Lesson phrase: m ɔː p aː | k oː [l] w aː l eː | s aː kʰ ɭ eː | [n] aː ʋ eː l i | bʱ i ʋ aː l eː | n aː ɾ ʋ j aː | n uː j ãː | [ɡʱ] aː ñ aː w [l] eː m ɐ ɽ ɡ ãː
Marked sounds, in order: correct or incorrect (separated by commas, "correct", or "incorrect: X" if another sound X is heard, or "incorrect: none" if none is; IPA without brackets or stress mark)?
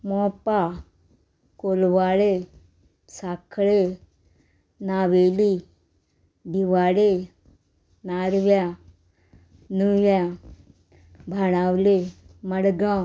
correct, correct, incorrect: bʱ, correct